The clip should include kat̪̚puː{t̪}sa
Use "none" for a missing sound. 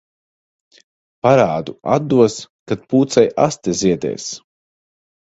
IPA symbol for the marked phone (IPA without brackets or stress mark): t̪